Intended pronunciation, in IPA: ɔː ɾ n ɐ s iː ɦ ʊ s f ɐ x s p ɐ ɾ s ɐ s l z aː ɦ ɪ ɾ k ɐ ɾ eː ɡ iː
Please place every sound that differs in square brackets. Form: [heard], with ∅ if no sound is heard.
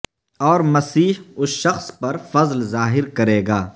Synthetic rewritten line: ɔː ɾ [m] ɐ s iː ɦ ʊ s [ʃ] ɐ x s p ɐ ɾ [f] ɐ [z] l z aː ɦ ɪ ɾ k ɐ ɾ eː ɡ [aː]